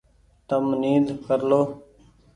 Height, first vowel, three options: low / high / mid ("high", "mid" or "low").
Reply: mid